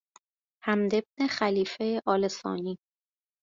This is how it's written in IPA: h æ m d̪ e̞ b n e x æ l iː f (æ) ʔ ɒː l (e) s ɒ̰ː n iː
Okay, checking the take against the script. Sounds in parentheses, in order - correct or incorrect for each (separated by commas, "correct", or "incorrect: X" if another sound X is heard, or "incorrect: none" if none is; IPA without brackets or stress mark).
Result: incorrect: e, correct